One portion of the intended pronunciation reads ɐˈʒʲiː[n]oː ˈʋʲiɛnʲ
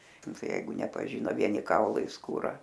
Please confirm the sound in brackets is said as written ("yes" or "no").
yes